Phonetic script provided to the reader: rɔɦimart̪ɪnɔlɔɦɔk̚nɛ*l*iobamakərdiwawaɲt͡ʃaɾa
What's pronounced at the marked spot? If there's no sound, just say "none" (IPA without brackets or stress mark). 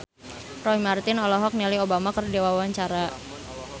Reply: l